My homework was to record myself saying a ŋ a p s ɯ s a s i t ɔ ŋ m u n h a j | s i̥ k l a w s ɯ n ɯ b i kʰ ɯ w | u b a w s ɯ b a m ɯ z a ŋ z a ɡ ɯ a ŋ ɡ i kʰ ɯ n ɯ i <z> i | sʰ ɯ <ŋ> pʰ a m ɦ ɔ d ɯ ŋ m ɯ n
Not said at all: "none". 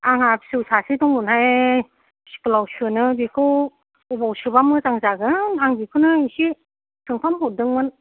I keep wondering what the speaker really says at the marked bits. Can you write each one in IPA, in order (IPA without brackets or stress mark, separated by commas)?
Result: s, ŋ